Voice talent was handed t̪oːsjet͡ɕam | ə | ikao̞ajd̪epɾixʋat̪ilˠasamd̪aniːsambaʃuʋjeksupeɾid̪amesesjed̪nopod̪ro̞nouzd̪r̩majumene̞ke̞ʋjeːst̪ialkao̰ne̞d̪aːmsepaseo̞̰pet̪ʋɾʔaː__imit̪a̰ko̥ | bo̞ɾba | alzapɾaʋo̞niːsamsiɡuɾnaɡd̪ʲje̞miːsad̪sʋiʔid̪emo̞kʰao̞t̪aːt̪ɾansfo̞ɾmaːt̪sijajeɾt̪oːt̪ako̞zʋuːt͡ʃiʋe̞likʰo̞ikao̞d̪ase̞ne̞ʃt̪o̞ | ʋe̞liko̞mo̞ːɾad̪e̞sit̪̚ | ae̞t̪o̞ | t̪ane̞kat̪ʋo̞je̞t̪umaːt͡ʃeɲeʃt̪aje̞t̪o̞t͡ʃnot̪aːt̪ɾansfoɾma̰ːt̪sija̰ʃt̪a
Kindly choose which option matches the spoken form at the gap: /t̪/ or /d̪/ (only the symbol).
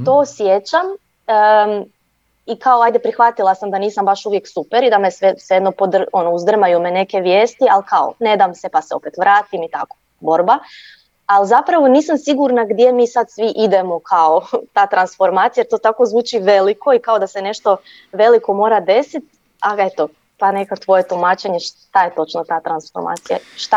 t̪